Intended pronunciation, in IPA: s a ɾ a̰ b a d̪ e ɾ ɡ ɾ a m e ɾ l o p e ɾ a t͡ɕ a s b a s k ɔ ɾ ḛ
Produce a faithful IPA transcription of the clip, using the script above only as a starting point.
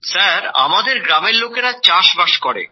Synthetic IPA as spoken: s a ɾ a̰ m a d̪ e ɾ ɡ ɾ a m e ɾ l o k e ɾ a t͡ɕ a ʃ b a ʃ k ɔ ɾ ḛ

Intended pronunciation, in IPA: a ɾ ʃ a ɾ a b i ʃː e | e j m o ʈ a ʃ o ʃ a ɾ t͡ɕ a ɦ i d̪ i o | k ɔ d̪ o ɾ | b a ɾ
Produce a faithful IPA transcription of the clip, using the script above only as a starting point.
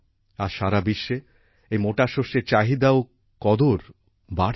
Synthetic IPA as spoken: a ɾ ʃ a ɾ a b i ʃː e | e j m o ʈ a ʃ o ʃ e ɾ t͡ɕ a ɦ i d̪ a o | k ɔ d̪ o ɾ | b a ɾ

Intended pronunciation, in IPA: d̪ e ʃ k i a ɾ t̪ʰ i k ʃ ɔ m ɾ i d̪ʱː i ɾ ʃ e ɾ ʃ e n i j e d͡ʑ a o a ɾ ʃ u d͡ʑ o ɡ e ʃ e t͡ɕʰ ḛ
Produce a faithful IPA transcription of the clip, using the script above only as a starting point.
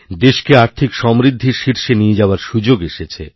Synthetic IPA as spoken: d̪ e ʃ k e a ɾ t̪ʰ i k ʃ ɔ m ɾ i d̪ʱː i ɾ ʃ i ɾ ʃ e n i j e d͡ʑ a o a ɾ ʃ u d͡ʑ o ɡ e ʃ e t͡ɕʰ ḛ

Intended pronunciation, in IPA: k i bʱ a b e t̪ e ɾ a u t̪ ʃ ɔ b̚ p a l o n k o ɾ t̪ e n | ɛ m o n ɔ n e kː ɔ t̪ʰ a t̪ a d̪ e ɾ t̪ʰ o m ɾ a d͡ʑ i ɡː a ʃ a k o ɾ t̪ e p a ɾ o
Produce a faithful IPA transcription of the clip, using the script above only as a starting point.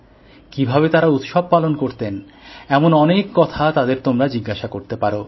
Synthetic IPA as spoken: k i bʱ a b e t̪ a ɾ a u t̪ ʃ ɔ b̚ p a l o n k o ɾ t̪ e n | ɛ m o n ɔ n e kː ɔ t̪ʰ a t̪ a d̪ e ɾ t̪ o m ɾ a d͡ʑ i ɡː a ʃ a k o ɾ t̪ e p a ɾ o

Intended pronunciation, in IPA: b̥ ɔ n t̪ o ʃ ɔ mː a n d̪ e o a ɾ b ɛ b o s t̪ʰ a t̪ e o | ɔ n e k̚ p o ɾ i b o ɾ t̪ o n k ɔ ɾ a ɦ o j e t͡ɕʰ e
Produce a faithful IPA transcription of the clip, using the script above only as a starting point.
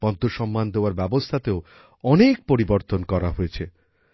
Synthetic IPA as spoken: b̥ ɔ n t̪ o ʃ ɔ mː a n d̪ e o a ɾ b ɛ b o s t̪ʰ a t̪ e o | ɔ n e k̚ p o ɾ i b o ɾ t̪ o n k ɔ ɾ a ɦ o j e t͡ɕʰ e

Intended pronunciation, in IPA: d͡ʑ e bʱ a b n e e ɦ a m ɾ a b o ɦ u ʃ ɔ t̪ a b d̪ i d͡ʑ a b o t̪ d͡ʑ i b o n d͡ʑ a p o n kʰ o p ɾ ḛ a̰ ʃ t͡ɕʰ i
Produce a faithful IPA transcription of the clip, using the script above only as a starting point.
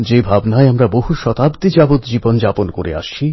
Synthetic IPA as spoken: d͡ʑ e bʱ a b n a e a m ɾ a b o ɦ u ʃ ɔ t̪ a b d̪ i d͡ʑ a b o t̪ d͡ʑ i b o n d͡ʑ a p o n k o ɾ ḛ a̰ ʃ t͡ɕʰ i

